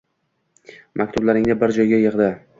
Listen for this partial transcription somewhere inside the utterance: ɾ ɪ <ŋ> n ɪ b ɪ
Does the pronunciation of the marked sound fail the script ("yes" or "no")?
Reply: no